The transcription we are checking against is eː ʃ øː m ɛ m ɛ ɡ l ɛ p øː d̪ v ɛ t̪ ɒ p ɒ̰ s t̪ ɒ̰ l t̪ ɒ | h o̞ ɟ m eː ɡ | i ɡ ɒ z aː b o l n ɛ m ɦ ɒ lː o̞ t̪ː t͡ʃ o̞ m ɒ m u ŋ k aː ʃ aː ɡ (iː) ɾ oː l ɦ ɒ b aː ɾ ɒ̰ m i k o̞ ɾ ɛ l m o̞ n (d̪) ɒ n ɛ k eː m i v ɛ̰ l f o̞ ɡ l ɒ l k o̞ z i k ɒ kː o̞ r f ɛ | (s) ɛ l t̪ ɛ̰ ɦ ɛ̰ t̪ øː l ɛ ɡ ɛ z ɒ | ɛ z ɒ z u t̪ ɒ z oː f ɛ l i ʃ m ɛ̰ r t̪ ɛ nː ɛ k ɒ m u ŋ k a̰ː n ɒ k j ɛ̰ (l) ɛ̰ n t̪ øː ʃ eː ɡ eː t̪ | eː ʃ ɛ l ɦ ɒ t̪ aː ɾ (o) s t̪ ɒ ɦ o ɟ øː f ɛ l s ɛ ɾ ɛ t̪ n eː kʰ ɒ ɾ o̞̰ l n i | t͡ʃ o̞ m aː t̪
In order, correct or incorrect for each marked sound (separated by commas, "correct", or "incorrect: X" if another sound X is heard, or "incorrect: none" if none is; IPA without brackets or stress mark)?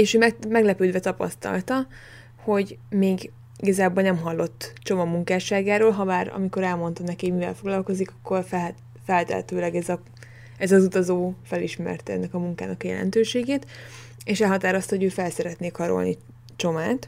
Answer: incorrect: aː, incorrect: t̪, incorrect: f, correct, correct